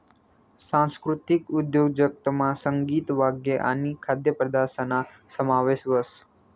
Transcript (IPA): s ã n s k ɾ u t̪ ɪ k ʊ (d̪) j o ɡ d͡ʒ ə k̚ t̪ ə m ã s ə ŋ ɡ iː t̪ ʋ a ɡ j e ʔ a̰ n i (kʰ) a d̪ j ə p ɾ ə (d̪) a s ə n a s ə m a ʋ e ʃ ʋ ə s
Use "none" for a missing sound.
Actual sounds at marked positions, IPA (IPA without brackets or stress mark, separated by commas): d̪, kʰ, d̪